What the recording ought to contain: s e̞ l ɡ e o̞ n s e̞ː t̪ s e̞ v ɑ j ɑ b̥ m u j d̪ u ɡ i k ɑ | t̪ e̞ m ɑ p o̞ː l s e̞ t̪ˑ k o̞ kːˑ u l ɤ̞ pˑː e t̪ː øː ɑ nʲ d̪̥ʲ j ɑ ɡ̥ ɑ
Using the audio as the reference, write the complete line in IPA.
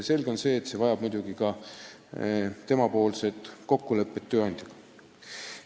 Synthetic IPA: s e̞ l ɡ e o̞ n s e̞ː t̪ s e̞ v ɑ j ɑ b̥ m u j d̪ u ɡ i k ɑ | t̪ e̞ m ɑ p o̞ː l s e̞ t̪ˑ k o̞ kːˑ u l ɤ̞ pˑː e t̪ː øː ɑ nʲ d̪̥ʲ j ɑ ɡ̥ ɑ